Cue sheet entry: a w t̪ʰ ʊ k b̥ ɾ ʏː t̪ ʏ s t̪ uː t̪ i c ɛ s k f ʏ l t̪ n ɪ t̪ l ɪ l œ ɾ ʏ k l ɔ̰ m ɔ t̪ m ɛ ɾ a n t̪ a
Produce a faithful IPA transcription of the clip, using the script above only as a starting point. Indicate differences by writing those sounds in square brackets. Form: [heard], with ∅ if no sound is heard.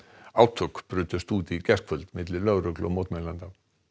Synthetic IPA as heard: a w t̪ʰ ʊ k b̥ ɾ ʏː t̪ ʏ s t̪ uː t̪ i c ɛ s k f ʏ l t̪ [m] ɪ t̪ l ɪ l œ ɾ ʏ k l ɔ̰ m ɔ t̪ m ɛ [l] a n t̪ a